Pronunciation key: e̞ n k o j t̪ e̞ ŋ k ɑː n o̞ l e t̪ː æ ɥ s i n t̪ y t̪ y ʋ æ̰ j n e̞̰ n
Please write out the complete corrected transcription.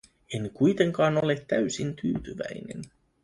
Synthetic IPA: e̞ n k u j t̪ e̞ ŋ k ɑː n o̞ l e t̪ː æ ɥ s i n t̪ yː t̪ y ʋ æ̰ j n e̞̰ n